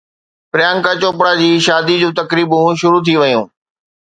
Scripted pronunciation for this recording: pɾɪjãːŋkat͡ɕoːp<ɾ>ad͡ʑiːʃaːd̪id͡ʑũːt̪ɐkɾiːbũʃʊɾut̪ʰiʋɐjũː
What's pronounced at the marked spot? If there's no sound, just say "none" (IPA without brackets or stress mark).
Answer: ɽ